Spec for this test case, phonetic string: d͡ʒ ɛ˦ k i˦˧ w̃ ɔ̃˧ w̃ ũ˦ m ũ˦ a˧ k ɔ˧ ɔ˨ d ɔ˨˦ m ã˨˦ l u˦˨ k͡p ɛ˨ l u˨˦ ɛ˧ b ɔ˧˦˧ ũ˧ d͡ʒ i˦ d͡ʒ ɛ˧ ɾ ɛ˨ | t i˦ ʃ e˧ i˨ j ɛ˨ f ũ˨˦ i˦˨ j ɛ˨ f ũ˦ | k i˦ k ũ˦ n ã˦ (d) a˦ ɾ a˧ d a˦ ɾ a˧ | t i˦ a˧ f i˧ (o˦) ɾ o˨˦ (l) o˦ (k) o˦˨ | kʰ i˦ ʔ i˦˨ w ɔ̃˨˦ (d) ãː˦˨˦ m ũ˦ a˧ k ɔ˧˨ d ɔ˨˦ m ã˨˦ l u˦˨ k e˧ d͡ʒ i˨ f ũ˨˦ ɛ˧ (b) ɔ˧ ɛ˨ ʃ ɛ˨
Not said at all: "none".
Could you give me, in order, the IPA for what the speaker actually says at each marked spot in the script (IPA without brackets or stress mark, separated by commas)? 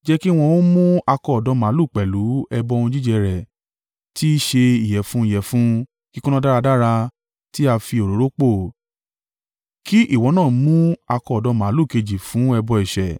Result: d, o˨, ɾ, k͡p, n, b